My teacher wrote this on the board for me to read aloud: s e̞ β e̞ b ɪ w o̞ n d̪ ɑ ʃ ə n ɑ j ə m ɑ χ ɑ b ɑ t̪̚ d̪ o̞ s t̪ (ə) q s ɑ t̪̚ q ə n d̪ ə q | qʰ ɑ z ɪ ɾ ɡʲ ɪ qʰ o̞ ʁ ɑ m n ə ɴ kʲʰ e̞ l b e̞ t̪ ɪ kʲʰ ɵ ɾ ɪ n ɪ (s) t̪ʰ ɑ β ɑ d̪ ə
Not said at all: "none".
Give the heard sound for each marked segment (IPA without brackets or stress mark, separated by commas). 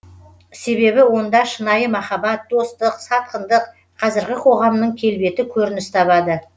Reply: ə, s